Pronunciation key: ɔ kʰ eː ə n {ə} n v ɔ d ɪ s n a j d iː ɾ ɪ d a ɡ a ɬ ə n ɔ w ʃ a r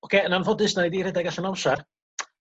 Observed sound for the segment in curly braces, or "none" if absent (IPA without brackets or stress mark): a